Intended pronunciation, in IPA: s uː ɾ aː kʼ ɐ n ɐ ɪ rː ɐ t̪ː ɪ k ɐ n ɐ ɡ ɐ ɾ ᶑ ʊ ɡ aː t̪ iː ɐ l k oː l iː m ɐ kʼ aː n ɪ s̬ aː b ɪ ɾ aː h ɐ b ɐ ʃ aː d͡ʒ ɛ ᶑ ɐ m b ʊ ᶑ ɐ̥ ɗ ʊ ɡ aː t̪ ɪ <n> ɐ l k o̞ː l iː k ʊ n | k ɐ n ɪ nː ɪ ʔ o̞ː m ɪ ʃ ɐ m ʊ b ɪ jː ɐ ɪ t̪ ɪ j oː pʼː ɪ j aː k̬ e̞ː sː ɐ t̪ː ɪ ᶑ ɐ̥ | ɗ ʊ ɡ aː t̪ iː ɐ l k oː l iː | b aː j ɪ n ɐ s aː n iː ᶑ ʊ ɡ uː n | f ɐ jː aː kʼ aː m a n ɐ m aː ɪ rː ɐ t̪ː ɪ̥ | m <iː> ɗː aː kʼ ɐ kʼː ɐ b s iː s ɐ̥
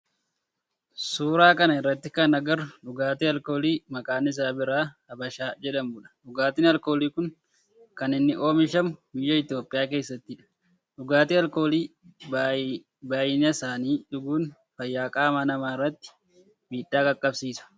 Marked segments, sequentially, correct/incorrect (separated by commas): correct, correct